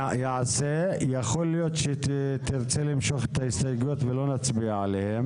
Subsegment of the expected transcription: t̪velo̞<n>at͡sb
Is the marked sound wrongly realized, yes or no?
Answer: no